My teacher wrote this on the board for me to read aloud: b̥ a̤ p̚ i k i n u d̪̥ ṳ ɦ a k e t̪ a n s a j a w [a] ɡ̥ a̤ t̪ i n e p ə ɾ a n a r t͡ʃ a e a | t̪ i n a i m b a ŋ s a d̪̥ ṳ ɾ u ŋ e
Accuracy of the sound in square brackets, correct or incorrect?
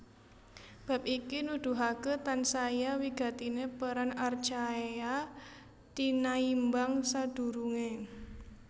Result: incorrect